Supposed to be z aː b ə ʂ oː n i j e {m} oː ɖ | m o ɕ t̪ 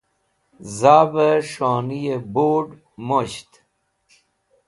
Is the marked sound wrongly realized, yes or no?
yes